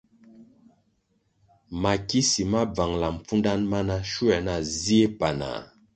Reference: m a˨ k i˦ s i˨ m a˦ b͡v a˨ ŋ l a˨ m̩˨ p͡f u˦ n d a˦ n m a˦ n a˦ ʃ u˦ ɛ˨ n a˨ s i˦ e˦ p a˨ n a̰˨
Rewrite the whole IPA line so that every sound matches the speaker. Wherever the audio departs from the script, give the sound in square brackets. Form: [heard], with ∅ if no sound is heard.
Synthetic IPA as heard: m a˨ k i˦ s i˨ m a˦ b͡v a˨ ŋ l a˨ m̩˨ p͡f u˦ n d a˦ n m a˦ n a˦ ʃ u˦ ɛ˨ n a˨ [z] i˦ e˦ p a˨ n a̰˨